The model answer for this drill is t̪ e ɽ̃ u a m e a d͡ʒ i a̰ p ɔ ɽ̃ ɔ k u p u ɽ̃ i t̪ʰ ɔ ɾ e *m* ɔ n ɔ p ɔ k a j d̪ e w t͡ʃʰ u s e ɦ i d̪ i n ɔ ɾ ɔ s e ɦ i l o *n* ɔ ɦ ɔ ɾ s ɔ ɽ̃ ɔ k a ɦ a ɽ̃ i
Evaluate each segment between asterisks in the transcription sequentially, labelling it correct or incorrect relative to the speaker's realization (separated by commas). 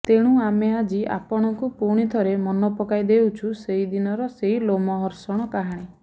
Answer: correct, incorrect